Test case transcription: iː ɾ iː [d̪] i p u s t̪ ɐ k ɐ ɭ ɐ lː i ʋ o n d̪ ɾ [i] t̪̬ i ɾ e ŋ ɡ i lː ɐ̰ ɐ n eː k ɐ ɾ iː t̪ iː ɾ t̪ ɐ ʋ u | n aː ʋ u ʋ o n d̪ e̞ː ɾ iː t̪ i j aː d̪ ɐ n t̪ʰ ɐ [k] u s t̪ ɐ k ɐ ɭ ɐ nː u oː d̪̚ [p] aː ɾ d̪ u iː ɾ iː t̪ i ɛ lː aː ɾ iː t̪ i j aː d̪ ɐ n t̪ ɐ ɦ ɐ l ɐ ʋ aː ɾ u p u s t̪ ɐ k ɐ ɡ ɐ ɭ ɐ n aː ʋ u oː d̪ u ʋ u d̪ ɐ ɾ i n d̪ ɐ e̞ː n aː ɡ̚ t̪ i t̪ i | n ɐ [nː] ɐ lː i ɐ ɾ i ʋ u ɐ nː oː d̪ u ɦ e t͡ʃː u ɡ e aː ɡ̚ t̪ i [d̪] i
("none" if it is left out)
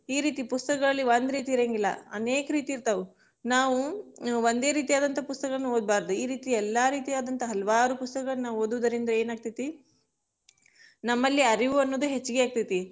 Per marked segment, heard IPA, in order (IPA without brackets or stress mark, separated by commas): t̪, iː, p, b, mː, t̪